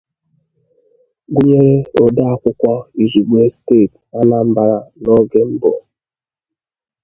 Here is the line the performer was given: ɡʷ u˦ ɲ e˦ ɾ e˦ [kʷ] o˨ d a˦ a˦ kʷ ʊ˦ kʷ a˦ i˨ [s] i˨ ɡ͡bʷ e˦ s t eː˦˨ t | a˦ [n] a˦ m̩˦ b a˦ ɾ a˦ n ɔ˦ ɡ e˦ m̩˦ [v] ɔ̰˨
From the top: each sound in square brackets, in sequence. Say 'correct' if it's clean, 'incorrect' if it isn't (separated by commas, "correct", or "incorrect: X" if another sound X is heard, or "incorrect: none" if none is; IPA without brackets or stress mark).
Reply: incorrect: none, incorrect: z, correct, incorrect: b